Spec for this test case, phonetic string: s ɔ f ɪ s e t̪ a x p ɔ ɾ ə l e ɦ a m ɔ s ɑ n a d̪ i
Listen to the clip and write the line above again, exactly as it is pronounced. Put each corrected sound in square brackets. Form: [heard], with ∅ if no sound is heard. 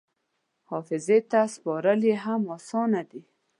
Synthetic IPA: [h] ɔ f ɪ [z] e t̪ a [s] p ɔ ɾ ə l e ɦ a m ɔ s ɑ n a d̪ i